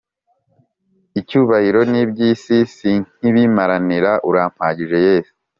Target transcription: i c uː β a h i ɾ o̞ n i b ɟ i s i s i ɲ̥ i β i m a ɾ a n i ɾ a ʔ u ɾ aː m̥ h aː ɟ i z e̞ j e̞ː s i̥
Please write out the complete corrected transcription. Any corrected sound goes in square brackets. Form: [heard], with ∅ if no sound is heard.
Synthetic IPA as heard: i c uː β a h i ɾ o̞ n i b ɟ i s i s i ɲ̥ i β i m a ɾ a n i ɾ a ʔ u ɾ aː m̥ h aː ɟ i [ʒ] e̞ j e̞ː s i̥

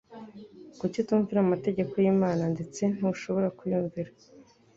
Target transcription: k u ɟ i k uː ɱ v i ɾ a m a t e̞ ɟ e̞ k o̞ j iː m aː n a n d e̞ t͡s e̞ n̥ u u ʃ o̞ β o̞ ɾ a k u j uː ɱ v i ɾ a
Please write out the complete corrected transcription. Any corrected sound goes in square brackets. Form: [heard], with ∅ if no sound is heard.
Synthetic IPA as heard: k u [c] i [t] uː ɱ v i ɾ a m a t e̞ ɟ e̞ k o̞ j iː m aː n a n d e̞ t͡s e̞ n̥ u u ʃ o̞ β o̞ ɾ a k u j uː ɱ v i ɾ a

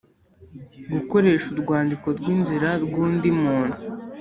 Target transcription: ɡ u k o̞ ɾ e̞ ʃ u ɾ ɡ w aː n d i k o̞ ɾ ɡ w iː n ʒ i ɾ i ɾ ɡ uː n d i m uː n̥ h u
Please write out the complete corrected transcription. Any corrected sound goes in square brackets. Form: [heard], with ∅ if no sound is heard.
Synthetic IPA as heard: ɡ u k o̞ ɾ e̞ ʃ u ɾ ɡ w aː n d i k o̞ ɾ ɡ w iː n [z] i ɾ [a] ɾ ɡ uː n d i m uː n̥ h u

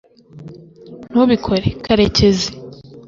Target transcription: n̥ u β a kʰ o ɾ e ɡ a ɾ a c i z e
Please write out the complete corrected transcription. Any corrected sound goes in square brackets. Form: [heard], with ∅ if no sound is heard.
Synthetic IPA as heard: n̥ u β [i] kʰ o ɾ e [k] a ɾ [e] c [e] z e

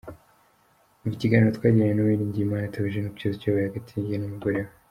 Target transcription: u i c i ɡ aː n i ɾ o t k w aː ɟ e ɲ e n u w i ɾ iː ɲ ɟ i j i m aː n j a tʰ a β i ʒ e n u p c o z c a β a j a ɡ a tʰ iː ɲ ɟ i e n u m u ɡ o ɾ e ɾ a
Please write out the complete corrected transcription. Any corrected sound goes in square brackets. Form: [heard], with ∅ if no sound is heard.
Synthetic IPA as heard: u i c i ɡ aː n i ɾ o t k w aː ɟ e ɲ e n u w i ɾ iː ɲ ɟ i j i m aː n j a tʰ a β i ʒ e n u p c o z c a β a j a ɡ a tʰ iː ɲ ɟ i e n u m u ɡ o ɾ e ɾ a

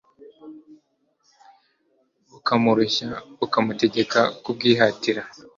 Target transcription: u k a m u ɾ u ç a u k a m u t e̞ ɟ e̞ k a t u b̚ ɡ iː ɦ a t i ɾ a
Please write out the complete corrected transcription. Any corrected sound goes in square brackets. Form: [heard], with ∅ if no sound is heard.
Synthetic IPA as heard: u k a m u ɾ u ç a u k a m u t e̞ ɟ e̞ k a [k] u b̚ ɡ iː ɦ a t i ɾ a

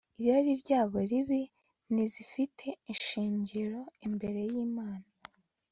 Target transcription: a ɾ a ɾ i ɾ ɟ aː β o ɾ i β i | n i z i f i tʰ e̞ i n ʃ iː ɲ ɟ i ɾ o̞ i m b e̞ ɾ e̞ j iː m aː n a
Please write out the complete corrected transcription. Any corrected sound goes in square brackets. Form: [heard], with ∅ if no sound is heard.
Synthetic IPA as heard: [i] ɾ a ɾ i ɾ ɟ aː β o ɾ i β i | n i z i f i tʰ e̞ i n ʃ iː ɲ ɟ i ɾ o̞ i m b e̞ ɾ e̞ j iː m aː n a

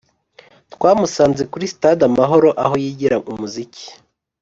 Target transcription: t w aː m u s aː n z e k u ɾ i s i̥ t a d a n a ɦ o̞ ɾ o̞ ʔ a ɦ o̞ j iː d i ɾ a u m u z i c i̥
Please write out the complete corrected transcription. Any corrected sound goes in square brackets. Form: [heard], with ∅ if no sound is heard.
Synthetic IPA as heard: t w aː m u s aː n z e k u ɾ i s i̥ t a d a [m] a ɦ o̞ ɾ o̞ ʔ a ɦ o̞ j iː [ɟ] i ɾ a u m u z i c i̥

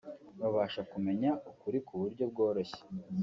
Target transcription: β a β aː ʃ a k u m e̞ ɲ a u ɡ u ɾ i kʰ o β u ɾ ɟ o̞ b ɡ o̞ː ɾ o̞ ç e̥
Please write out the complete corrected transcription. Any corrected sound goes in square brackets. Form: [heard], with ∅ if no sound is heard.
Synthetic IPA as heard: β a β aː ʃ a k u m e̞ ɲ a u [k] u ɾ i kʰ [u] β u ɾ ɟ o̞ b ɡ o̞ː ɾ o̞ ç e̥

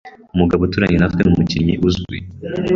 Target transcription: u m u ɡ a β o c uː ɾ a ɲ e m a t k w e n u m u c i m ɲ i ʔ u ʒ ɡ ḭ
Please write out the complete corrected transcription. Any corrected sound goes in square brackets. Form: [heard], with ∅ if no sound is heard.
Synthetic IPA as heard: u m u ɡ a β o [t] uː ɾ a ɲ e [n] a t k w e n u m u c i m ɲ i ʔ u [z] ɡ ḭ

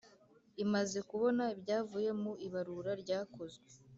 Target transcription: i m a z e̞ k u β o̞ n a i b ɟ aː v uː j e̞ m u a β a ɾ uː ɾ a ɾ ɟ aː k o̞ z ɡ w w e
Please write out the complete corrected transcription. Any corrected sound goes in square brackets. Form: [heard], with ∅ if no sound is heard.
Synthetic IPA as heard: i m a z e̞ k u β o̞ n a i b ɟ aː v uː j e̞ m u [i] β a ɾ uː ɾ a ɾ ɟ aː k o̞ z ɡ w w e

